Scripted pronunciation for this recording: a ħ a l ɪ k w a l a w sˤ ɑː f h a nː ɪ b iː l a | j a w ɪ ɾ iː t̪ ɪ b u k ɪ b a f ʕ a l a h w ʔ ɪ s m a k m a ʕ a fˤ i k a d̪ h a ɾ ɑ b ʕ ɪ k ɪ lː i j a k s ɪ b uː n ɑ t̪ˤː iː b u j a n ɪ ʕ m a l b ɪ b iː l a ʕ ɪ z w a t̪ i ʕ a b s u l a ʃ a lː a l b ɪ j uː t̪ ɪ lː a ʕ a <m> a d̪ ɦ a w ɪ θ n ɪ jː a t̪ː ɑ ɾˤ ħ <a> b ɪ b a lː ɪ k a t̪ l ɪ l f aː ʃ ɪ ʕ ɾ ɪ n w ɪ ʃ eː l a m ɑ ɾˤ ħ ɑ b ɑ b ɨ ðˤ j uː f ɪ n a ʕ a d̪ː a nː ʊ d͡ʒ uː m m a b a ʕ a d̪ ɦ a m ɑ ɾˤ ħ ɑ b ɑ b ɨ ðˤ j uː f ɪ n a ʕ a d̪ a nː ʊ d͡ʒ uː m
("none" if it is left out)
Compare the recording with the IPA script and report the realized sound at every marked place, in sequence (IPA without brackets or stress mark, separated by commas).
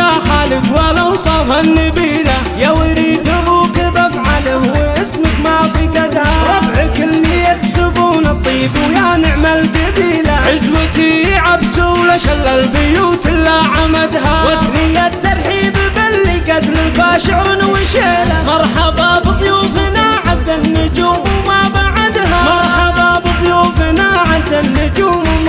m, i